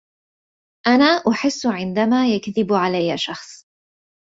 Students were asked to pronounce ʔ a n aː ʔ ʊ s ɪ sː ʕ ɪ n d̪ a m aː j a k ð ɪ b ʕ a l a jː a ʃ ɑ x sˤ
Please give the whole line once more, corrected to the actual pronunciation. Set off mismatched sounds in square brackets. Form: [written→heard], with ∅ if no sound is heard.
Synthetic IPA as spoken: ʔ a n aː ʔ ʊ [s→ħ] ɪ sː ʕ ɪ n d̪ a m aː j a k ð ɪ b ʕ a l a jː a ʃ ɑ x sˤ